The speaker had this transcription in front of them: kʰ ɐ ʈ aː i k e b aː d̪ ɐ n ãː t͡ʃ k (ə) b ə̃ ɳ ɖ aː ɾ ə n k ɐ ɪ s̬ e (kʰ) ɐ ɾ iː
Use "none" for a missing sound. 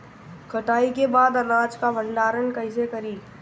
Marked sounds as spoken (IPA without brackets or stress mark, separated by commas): a, k